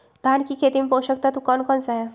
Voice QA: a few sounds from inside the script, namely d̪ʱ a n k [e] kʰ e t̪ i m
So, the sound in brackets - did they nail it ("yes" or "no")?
no